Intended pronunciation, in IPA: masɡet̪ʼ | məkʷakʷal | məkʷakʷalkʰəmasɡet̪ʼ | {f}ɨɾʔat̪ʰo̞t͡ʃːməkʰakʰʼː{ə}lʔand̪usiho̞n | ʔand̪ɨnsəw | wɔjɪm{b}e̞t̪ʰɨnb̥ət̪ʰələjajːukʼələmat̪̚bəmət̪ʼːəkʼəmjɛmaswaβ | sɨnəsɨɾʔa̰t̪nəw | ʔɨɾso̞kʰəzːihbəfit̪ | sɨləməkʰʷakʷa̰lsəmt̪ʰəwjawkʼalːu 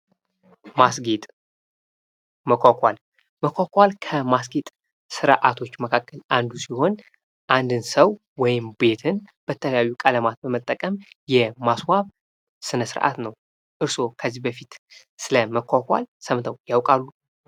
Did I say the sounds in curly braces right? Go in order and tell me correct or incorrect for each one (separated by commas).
incorrect, correct, correct